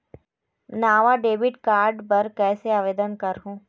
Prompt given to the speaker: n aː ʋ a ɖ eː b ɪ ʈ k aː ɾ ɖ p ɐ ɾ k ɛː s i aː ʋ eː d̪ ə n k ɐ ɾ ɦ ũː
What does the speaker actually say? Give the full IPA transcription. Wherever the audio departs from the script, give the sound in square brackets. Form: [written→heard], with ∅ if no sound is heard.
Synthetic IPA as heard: n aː ʋ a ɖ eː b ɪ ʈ k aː ɾ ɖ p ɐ ɾ k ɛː s [i→e] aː ʋ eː d̪ ə n k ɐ ɾ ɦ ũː